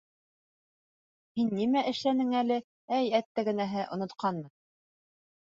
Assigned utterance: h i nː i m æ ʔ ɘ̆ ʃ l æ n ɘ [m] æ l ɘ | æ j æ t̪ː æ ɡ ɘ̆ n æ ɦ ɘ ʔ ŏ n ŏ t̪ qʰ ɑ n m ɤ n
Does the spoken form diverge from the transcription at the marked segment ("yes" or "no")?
yes